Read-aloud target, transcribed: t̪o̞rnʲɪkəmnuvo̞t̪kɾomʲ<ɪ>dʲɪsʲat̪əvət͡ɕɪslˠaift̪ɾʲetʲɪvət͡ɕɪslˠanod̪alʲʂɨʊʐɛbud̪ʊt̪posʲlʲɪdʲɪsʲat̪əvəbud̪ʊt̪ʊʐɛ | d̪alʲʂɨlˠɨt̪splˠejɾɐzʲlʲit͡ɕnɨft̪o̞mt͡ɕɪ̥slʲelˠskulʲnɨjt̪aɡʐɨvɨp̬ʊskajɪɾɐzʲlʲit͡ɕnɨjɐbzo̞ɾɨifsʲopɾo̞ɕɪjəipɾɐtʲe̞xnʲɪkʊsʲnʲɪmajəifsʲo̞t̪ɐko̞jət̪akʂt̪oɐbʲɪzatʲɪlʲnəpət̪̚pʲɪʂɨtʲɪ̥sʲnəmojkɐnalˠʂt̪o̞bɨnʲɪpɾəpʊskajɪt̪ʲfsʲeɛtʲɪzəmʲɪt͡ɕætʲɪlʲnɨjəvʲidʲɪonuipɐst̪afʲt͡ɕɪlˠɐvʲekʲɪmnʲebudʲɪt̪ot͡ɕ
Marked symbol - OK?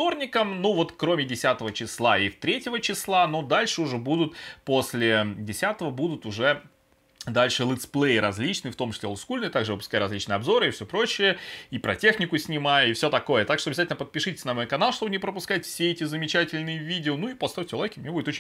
yes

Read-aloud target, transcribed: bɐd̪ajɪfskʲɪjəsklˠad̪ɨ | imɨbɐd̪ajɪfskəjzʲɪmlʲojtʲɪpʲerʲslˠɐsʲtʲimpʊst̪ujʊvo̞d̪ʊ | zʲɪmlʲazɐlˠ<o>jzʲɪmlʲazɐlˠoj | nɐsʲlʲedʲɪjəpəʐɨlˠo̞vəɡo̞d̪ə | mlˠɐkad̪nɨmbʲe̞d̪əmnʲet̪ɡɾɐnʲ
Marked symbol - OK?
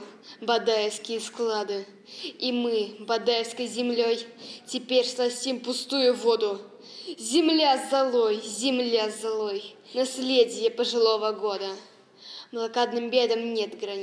yes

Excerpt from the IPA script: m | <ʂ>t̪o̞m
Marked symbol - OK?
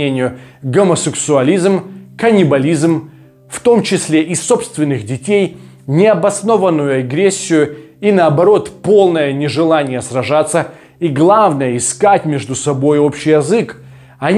no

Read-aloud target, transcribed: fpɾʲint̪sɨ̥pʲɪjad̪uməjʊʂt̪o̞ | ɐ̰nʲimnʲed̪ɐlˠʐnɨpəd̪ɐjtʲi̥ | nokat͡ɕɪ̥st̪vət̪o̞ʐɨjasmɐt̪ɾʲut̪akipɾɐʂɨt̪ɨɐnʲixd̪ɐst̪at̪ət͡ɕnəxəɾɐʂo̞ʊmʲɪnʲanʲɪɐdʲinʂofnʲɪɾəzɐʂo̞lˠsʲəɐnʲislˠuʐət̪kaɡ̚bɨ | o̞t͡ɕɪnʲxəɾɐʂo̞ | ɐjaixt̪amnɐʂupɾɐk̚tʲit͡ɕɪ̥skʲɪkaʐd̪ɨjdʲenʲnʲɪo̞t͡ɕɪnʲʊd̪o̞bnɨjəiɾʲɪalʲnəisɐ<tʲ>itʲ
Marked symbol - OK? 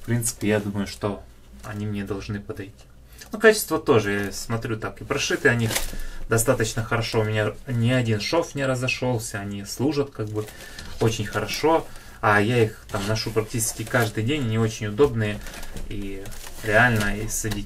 no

